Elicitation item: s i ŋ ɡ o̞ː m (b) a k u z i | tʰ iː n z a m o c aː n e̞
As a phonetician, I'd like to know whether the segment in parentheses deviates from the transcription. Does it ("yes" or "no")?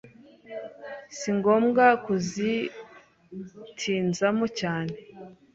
yes